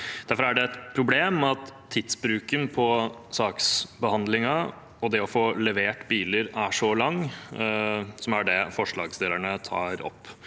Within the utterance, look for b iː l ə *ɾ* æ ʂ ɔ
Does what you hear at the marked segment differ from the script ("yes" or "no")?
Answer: no